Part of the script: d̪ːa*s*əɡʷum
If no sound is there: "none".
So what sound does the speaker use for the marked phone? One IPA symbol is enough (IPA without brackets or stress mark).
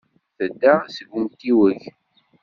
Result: s